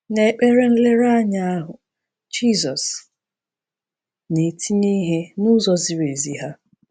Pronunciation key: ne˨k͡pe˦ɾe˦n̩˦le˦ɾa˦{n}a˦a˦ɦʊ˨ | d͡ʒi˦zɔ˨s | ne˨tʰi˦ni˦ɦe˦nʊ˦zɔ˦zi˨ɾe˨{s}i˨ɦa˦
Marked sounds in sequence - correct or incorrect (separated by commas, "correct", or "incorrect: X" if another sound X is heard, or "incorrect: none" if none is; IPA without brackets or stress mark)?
incorrect: ɲ, incorrect: z